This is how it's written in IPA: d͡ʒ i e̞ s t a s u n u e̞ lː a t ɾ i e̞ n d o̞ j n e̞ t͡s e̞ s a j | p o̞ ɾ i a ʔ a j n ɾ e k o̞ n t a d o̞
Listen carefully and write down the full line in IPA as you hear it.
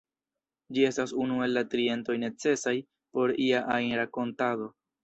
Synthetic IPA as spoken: d͡ʒ i e̞ s t a s u n u e̞ lː a t ɾ i e̞ n t o̞ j n e̞ t͡s e̞ s a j | p o̞ ɾ i a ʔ a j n ɾ a k o̞ n t a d o̞